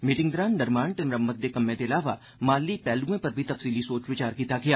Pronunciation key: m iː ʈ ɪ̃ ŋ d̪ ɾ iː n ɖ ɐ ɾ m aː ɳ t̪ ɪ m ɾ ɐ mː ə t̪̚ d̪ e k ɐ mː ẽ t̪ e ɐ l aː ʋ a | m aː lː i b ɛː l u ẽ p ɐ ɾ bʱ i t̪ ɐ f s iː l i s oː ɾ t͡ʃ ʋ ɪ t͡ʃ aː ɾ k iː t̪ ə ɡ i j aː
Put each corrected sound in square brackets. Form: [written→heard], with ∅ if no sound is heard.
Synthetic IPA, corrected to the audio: m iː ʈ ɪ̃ ŋ d̪ ɾ [iː→aː] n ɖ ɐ ɾ m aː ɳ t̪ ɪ m ɾ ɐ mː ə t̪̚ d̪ e k ɐ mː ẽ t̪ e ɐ l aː ʋ a | m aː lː i [b→p] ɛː l u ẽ p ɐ ɾ bʱ i t̪ ɐ f s iː l i s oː [ɾ→∅] t͡ʃ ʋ ɪ t͡ʃ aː ɾ k iː t̪ [ə→a] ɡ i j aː

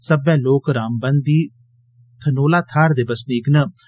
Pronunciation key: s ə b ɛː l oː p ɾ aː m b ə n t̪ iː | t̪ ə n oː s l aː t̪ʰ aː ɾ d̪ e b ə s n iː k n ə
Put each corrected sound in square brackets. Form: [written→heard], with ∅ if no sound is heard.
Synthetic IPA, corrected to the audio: s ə b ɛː l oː [p→k] ɾ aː m b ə n [t̪→d̪] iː | [t̪→t̪ʰ] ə n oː [s→∅] l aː t̪ʰ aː ɾ d̪ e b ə s n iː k n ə

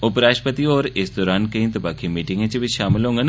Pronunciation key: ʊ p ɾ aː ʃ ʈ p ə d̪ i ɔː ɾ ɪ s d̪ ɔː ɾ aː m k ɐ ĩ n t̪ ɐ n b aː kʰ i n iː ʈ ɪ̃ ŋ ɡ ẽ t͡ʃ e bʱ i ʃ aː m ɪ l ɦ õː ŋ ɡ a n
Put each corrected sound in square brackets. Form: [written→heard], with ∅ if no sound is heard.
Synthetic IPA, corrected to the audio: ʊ p ɾ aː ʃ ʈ p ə [d̪→t̪] i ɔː ɾ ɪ s d̪ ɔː ɾ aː [m→n] k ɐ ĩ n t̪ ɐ [n→∅] b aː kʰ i [n→m] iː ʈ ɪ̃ ŋ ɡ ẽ t͡ʃ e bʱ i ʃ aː m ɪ l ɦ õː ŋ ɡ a n

